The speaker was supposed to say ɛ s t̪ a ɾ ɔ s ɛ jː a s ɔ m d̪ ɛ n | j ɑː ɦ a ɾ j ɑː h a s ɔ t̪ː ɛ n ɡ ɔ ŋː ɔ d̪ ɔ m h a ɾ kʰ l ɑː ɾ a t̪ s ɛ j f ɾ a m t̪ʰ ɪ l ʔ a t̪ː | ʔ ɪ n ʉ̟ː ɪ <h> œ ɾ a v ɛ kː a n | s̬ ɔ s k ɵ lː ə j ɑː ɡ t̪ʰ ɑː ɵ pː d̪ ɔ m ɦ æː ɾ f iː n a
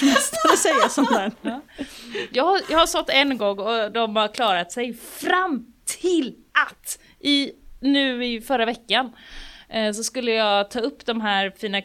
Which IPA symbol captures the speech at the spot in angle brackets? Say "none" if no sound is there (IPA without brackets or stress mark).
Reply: f